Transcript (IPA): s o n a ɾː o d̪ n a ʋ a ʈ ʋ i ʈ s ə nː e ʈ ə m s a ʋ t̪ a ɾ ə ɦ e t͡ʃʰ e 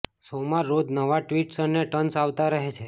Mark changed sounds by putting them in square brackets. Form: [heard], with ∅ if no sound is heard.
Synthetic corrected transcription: s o [m] a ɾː o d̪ n [ə] ʋ a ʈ ʋ i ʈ s ə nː e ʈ ə [n] s a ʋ t̪ a ɾ ə ɦ e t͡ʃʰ e